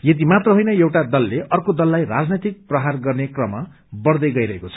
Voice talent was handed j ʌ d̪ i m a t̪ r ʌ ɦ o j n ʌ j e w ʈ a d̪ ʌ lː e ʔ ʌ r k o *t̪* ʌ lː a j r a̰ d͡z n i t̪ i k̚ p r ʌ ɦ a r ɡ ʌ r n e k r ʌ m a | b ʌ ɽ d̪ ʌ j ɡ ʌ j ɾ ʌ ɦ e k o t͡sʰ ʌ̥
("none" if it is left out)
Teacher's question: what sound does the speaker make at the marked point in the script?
d̪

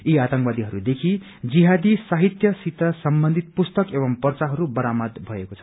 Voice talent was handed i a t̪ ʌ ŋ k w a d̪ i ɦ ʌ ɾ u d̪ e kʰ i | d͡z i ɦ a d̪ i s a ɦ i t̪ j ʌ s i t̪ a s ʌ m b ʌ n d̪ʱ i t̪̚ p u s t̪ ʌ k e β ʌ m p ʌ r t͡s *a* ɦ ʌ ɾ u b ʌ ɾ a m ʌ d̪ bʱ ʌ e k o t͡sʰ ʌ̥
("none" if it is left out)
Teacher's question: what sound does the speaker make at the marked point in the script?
a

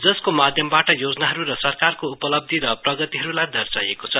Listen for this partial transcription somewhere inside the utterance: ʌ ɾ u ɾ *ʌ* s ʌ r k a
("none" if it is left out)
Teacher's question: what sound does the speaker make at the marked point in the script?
ʌ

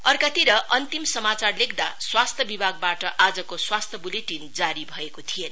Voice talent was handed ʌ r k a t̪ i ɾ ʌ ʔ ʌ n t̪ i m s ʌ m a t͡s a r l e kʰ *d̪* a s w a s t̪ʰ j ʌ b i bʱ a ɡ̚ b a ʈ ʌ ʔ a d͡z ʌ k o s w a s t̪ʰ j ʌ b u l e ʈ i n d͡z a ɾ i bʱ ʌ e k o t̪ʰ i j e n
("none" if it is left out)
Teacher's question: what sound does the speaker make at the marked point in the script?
d̪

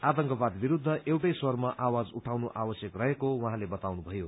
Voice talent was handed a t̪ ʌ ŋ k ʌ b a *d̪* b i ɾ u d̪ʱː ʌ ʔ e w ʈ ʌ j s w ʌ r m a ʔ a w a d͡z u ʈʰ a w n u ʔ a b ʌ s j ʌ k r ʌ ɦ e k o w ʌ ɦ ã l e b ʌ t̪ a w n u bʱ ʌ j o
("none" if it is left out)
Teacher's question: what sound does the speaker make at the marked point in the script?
d̪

